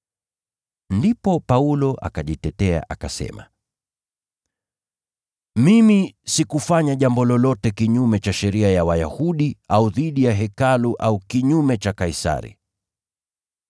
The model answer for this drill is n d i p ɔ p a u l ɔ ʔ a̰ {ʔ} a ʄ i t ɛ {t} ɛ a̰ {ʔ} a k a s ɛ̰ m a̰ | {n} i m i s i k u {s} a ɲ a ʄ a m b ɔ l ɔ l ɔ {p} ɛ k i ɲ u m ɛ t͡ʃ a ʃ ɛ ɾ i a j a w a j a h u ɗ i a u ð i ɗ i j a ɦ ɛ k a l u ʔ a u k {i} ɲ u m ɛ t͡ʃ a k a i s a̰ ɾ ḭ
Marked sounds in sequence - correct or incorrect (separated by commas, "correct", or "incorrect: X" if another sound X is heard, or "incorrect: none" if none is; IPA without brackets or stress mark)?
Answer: incorrect: k, correct, correct, incorrect: m, incorrect: f, incorrect: t, correct